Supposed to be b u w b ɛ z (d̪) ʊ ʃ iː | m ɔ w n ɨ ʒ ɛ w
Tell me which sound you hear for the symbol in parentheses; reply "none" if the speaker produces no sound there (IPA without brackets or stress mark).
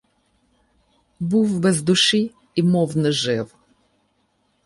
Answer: d̪